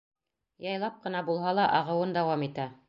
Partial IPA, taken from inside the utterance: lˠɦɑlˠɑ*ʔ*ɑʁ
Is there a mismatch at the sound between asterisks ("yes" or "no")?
no